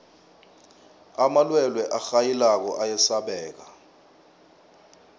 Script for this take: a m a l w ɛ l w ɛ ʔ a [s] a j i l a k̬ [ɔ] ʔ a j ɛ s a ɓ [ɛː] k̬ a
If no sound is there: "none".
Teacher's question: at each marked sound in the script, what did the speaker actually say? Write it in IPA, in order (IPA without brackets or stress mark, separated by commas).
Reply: x, ɔ, ɛː